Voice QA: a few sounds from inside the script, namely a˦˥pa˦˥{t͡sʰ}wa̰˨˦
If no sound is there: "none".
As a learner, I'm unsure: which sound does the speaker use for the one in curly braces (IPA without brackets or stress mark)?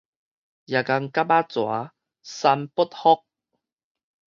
t͡s